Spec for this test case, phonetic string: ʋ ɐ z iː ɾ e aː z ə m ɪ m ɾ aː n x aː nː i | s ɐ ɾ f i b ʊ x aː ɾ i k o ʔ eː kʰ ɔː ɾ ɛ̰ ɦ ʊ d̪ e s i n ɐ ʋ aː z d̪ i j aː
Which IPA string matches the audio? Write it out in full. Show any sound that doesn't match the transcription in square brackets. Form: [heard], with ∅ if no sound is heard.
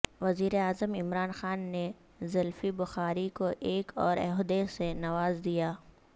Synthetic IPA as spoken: ʋ ɐ z iː ɾ e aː z ə m ɪ m ɾ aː n x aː nː [e] | [z] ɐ [l] f i b ʊ x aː ɾ i k o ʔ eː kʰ ɔː ɾ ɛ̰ ɦ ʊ d̪ e s [e] n ɐ ʋ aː z d̪ i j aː